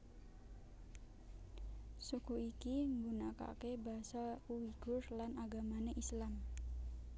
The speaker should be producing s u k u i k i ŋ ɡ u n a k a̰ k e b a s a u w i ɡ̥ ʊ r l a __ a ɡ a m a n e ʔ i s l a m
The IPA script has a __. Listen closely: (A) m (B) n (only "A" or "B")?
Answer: B